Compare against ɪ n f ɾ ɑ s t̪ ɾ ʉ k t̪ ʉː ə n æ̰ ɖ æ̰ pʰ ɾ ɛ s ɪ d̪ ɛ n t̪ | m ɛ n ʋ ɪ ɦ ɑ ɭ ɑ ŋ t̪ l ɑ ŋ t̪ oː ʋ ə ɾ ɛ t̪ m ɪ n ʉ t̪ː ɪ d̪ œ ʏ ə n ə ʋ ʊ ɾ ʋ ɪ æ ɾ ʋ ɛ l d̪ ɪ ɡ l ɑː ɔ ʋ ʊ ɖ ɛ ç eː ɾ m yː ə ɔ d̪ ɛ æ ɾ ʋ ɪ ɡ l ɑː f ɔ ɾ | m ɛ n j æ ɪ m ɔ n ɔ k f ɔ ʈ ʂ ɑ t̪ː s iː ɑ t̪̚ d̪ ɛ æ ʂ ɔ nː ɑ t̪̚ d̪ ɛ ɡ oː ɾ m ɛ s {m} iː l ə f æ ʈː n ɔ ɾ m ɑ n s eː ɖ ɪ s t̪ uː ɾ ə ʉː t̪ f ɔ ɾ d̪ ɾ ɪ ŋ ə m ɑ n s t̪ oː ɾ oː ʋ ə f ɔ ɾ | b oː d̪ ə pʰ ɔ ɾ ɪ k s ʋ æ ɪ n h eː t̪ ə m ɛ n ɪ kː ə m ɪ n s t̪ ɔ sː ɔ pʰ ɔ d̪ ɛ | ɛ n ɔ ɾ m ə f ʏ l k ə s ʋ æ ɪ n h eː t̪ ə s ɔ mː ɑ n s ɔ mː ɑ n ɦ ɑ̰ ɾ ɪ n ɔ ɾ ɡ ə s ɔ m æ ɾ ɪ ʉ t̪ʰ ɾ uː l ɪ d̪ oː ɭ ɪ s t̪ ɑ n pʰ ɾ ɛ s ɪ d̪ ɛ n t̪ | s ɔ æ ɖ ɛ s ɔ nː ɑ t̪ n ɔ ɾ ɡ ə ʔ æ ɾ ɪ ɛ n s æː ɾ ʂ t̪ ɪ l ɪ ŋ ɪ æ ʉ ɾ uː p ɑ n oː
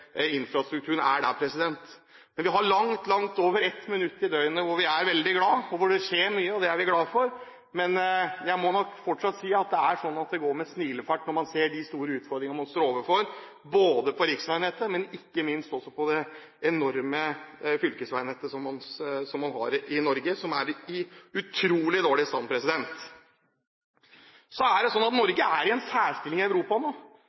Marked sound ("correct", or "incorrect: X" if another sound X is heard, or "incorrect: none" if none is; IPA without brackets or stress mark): incorrect: n